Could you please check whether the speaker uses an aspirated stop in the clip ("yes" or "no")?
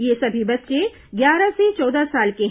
no